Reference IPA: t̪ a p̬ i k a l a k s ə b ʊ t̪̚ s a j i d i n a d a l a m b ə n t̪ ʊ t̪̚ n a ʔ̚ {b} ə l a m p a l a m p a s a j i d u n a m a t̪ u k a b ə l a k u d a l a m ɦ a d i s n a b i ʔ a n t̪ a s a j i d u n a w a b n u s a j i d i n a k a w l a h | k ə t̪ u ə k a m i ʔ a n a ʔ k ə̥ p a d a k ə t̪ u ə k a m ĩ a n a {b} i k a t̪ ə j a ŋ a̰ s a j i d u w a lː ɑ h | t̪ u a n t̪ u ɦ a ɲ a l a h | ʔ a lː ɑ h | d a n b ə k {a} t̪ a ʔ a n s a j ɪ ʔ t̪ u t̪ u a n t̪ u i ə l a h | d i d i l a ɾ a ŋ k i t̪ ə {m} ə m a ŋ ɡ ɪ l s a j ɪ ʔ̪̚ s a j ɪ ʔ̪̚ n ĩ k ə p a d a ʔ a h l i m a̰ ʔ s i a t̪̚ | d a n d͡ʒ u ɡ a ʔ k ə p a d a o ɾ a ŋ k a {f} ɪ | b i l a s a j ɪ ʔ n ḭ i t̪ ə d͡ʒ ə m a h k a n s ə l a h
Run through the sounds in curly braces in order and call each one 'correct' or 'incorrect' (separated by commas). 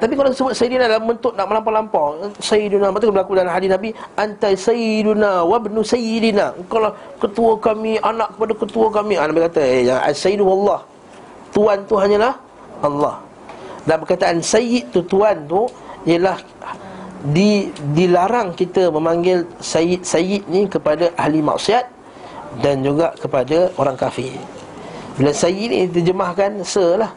incorrect, correct, correct, correct, correct